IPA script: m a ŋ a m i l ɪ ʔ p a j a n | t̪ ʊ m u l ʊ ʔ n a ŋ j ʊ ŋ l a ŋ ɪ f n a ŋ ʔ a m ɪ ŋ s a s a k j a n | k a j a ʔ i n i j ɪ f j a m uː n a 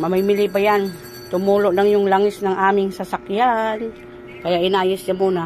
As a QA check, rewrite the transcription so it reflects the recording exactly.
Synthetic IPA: m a m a m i l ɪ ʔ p a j a n | t̪ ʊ m u l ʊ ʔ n a ŋ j ʊ ŋ l a ŋ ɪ s n a ŋ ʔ a m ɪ ŋ s a s a k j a n | k a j a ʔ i n a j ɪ s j a m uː n a